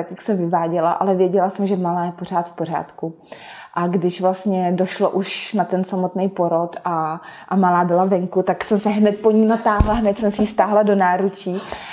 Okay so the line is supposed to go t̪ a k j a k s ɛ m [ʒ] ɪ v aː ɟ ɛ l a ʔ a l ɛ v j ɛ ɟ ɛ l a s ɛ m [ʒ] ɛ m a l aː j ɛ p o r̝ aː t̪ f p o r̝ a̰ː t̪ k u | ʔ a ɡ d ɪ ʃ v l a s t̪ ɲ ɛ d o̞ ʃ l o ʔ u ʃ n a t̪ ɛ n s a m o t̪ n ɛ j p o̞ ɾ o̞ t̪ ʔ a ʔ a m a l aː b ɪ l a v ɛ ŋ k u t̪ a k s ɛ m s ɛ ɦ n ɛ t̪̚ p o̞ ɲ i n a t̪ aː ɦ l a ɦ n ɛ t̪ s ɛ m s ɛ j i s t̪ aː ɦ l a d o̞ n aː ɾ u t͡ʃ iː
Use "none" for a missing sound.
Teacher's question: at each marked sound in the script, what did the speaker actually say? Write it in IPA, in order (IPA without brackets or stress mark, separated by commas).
v, ʒ